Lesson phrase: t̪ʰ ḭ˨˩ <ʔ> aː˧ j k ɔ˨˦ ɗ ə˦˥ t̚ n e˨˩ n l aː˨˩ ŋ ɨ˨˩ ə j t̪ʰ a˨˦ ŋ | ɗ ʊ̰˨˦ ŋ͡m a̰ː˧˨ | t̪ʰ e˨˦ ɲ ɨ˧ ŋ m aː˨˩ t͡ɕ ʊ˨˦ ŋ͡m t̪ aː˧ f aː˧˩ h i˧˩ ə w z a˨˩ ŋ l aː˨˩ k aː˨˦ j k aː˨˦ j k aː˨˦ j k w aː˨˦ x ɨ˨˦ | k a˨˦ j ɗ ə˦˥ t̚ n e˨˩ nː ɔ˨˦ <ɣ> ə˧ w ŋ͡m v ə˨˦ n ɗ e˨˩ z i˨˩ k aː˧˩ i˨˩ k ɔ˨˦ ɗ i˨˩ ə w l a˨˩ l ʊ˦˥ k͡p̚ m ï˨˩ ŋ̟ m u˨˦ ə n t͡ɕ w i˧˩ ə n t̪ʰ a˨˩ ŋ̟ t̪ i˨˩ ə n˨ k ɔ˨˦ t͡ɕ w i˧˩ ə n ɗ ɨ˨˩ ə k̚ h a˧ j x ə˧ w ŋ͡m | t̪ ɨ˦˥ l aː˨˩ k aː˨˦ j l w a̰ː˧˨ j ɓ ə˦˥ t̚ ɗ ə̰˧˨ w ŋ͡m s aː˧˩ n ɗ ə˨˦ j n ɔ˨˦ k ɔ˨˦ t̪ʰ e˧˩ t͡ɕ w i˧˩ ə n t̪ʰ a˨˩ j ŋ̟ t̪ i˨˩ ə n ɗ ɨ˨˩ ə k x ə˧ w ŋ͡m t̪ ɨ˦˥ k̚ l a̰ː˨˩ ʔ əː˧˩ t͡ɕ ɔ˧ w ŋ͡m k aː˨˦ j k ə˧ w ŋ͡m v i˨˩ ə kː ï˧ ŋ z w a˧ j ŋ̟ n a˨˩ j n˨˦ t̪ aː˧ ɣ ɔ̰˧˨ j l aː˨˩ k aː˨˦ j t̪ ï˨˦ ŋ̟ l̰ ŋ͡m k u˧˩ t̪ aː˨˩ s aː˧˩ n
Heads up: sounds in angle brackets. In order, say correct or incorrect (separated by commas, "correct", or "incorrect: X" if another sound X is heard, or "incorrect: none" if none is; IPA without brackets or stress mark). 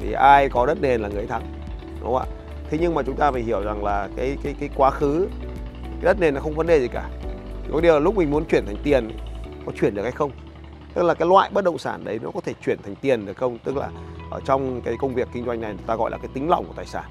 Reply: correct, incorrect: x